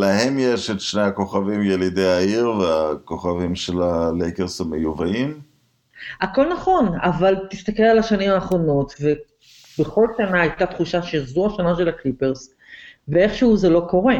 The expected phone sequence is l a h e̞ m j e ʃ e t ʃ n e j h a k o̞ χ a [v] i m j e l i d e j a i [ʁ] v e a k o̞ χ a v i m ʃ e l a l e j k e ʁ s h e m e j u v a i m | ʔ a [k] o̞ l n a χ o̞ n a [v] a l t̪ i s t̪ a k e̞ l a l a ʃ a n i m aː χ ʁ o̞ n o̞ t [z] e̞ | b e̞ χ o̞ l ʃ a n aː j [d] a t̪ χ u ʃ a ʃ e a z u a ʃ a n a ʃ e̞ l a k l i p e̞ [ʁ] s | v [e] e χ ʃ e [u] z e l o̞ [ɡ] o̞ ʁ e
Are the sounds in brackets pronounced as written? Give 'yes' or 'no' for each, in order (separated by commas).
yes, yes, yes, yes, no, no, yes, yes, yes, no